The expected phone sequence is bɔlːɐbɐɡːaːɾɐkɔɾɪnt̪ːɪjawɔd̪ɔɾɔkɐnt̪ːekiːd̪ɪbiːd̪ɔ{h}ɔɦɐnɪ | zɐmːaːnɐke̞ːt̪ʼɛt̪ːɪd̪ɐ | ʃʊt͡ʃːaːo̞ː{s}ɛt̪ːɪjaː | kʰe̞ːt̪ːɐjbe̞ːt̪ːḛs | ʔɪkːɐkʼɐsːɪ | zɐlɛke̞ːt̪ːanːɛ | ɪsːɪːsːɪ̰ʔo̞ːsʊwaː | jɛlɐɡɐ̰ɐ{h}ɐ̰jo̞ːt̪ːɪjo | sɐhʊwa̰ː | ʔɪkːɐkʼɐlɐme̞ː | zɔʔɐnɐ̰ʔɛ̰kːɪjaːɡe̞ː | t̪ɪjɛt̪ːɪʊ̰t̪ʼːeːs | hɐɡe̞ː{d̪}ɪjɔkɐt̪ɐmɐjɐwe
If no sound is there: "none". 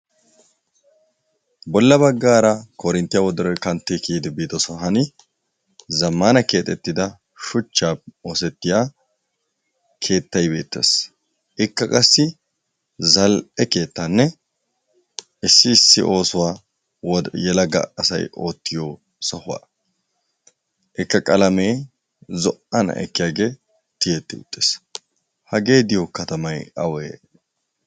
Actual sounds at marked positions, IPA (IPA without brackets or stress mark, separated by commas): s, s, s, d̪